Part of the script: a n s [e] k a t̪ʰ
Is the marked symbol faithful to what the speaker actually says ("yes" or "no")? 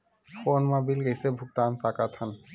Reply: no